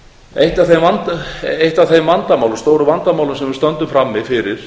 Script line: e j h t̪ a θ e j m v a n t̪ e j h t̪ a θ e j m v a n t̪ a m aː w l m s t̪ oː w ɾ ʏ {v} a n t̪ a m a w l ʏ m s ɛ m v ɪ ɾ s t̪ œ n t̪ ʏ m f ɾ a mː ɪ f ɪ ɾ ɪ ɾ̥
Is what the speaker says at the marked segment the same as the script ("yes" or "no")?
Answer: yes